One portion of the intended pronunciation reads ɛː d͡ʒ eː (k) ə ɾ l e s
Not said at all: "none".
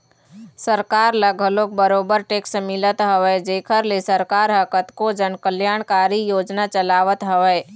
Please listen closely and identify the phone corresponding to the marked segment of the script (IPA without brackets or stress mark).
kʰ